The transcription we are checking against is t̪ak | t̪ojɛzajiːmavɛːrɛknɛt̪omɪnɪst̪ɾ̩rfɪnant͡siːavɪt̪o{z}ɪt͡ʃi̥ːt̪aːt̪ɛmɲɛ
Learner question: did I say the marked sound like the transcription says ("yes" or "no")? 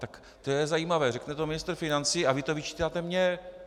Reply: no